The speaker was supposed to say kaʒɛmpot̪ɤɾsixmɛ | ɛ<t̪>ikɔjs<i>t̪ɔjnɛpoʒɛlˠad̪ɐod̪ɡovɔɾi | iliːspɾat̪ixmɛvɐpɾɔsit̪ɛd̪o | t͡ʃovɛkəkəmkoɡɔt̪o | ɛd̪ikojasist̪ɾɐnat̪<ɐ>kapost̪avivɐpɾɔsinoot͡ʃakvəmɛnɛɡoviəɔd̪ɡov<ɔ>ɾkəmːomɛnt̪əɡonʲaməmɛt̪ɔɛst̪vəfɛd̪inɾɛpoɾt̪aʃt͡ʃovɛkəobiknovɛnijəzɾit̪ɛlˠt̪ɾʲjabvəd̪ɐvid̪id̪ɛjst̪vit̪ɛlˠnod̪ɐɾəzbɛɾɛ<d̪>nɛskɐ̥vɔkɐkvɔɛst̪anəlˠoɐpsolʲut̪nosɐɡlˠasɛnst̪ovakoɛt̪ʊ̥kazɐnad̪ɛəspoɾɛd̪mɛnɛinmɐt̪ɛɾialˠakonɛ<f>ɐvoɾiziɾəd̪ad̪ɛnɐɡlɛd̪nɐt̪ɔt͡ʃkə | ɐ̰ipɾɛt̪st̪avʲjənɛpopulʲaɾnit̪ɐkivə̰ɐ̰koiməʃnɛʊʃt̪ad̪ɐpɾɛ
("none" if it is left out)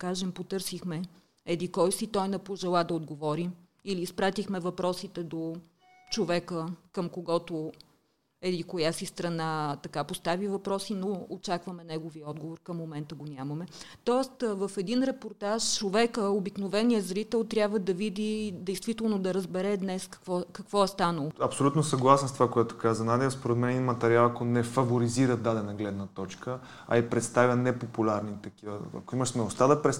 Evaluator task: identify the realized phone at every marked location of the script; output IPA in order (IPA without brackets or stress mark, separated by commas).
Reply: d̪, i, ɐ, o, d̪, f